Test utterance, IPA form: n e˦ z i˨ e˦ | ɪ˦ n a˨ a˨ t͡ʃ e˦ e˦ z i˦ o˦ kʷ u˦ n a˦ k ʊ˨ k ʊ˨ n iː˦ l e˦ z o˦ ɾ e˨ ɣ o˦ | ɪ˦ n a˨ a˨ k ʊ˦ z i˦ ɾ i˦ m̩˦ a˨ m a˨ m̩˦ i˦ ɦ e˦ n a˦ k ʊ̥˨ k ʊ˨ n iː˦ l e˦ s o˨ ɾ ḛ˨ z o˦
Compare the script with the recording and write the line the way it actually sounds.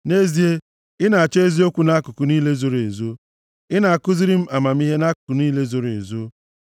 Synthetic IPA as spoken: n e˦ z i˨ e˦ | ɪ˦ n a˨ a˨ t͡ʃ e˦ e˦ z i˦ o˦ kʷ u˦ n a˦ k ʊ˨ k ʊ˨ n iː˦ l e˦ z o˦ ɾ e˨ z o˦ | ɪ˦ n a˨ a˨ k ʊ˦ z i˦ ɾ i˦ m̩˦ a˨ m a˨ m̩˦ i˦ ɦ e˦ n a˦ k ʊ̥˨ k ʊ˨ n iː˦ l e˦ z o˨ ɾ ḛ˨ z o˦

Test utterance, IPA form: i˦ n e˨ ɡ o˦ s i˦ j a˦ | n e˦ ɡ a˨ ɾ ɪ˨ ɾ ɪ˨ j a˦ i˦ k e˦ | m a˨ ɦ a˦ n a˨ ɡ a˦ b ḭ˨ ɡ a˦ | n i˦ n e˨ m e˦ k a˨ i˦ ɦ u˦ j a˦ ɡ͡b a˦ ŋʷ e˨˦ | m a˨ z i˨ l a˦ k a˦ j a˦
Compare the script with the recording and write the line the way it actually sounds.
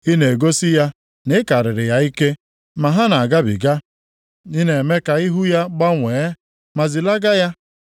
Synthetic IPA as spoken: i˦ n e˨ ɡ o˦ s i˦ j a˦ | n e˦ k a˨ ɾ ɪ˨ ɾ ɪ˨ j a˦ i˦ k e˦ | m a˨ ɦ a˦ n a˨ ɡ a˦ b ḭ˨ ɡ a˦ | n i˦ n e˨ m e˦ k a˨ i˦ ɦ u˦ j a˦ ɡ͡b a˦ ŋʷ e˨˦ | m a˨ z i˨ l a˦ ɡ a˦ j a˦

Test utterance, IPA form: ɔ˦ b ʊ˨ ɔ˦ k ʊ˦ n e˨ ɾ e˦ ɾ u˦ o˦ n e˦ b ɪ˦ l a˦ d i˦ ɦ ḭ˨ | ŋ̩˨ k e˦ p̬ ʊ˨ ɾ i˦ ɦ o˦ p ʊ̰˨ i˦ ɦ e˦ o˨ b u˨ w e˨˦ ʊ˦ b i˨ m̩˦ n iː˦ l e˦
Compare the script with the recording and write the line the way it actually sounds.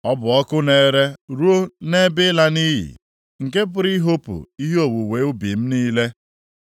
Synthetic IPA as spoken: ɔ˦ b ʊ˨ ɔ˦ k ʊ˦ n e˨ ɾ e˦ ɾ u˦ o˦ n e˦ b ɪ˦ l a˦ n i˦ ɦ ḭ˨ | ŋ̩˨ k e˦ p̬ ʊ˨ ɾ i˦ ɦ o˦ p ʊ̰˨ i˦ ɦ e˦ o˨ w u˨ w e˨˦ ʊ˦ b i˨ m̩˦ n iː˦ l e˦

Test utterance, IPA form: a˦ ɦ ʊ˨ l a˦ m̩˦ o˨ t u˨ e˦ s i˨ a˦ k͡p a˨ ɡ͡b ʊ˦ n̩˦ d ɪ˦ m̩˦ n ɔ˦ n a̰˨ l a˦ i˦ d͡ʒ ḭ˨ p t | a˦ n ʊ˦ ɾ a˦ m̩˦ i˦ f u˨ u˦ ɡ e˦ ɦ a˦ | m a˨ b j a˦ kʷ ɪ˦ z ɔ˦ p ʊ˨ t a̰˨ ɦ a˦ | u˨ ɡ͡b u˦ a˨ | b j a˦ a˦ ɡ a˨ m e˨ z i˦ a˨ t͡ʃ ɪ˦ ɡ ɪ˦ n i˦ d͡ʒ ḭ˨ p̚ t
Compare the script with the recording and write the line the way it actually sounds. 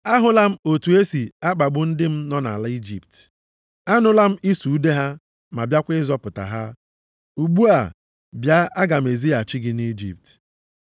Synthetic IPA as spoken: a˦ ɦ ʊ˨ l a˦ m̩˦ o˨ t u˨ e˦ s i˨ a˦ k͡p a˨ ɡ͡b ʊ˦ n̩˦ d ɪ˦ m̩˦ n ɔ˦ n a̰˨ l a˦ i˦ d͡ʒ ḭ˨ p t | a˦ n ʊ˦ l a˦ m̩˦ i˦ s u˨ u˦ d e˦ ɦ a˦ | m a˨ b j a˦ kʷ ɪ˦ z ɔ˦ p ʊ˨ t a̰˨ ɦ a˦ | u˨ ɡ͡b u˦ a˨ | b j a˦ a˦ ɡ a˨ m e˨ z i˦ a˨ t͡ʃ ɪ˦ ɡ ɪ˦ n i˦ d͡ʒ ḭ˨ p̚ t

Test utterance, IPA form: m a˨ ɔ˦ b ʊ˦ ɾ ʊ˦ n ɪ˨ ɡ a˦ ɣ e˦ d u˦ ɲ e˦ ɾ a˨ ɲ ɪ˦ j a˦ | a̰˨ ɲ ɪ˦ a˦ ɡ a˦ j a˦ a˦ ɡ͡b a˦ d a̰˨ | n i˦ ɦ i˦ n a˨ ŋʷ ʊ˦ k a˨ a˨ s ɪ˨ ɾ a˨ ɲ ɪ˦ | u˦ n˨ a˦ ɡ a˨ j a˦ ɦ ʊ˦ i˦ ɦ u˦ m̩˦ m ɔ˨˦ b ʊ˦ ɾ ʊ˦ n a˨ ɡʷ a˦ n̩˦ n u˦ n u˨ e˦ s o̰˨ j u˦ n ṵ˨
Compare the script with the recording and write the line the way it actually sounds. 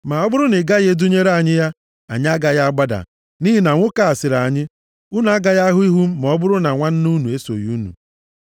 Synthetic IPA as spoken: m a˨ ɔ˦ b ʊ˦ ɾ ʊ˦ n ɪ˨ ɡ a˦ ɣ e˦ d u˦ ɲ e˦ ɾ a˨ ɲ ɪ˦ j a˦ | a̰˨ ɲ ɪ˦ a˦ ɡ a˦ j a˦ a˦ ɡ͡b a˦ d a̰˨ | n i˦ ɦ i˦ n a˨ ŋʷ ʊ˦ k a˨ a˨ s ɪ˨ ɾ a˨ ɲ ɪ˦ | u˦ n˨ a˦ ɡ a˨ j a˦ ɦ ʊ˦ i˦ ɦ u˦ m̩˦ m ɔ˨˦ b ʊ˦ ɾ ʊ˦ n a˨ ŋʷ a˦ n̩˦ n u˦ n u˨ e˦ s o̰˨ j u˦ n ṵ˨

